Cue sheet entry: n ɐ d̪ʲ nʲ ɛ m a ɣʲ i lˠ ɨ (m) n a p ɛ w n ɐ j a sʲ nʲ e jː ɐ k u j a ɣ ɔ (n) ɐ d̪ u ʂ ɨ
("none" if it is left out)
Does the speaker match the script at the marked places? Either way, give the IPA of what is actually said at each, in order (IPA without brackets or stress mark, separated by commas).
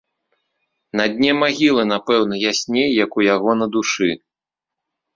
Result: none, n